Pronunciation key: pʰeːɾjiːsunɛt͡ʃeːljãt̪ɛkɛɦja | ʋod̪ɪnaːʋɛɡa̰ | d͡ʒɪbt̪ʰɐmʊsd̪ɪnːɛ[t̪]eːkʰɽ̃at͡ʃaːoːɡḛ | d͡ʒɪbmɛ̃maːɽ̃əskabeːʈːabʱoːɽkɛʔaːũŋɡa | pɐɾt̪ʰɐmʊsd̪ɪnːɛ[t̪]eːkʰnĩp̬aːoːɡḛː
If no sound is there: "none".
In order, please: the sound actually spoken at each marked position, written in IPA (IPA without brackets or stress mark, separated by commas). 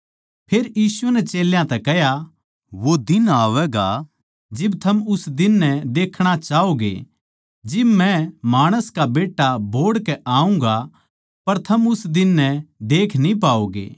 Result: d̪, d̪